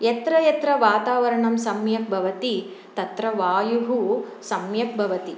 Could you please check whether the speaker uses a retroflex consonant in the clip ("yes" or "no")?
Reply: yes